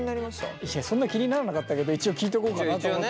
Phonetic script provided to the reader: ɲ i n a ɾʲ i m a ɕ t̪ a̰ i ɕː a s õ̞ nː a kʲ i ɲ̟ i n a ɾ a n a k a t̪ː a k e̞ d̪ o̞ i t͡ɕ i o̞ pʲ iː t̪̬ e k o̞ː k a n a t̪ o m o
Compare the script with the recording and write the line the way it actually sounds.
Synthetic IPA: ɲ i n a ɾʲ i m a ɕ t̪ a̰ i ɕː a s õ̞ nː a kʲ i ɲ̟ i n a ɾ a n a k a t̪ː a k e̞ d̪ o̞ i t͡ɕ i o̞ kʲ iː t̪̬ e k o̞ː k a n a t̪ o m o